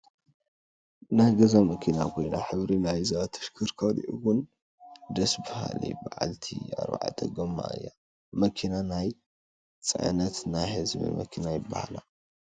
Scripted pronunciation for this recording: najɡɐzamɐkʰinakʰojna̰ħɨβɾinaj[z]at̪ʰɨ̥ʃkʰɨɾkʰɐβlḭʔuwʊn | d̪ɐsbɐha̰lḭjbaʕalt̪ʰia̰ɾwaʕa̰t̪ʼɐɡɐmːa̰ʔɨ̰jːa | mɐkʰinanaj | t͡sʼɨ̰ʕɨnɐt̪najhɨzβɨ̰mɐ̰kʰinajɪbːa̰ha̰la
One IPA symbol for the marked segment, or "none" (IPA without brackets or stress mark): z